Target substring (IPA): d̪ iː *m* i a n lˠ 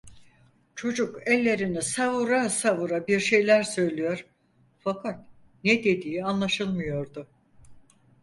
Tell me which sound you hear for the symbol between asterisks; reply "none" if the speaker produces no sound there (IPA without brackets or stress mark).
none